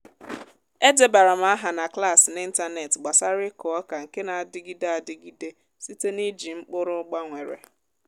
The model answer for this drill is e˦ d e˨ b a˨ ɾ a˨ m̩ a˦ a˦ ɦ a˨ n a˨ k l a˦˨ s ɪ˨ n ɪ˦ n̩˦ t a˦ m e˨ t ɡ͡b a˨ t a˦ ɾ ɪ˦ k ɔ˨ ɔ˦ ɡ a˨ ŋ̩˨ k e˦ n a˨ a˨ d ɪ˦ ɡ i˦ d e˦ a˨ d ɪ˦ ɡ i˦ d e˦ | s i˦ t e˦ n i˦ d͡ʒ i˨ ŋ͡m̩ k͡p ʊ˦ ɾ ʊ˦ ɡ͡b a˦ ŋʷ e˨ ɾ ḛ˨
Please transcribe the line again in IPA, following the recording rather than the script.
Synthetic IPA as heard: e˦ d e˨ b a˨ ɾ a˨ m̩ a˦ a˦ ɦ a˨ n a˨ k l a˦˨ s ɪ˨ n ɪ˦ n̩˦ t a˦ n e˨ t ɡ͡b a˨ s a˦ ɾ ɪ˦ k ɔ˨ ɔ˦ k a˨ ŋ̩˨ k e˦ n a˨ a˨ d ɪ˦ ɡ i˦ d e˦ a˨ d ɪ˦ ɡ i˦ d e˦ | s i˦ t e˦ n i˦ d͡ʒ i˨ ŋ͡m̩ k͡p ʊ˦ ɾ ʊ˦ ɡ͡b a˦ ŋʷ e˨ ɾ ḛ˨